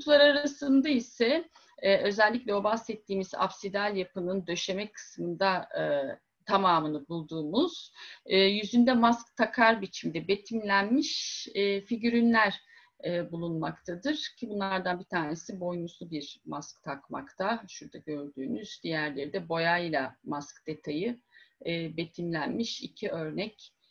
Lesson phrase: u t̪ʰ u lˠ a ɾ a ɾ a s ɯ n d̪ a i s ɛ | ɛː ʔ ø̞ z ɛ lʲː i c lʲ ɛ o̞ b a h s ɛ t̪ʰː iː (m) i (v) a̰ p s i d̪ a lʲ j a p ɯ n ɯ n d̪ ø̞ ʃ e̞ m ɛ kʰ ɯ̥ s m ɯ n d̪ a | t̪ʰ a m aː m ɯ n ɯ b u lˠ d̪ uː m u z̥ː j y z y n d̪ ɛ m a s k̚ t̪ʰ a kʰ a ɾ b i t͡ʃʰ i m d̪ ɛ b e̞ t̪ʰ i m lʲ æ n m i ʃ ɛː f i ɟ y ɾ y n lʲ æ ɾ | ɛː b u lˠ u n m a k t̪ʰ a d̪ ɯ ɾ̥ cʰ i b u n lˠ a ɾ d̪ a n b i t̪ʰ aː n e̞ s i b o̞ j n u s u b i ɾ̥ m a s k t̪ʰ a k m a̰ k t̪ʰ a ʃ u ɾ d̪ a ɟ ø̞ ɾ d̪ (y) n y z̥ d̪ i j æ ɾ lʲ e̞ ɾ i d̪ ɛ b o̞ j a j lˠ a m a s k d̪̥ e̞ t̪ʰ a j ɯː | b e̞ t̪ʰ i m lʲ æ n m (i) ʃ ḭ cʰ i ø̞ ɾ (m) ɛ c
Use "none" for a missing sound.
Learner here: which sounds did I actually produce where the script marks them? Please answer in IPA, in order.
m, z, yː, i, n

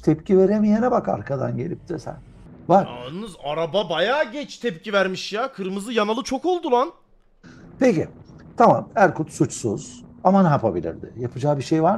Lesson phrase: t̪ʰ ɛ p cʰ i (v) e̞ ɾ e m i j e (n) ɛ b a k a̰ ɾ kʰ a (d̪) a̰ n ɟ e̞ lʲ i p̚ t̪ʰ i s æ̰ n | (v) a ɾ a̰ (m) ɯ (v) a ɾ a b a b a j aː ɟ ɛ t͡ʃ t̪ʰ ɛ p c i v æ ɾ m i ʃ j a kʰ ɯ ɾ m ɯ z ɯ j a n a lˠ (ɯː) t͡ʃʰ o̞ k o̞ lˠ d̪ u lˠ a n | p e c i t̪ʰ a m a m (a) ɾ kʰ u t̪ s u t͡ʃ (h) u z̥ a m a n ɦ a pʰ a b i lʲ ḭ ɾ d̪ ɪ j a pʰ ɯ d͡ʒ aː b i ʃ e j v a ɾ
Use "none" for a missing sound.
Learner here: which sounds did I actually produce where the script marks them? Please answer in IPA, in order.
v, n, d̪, v, n, z, ɯ, æ, s

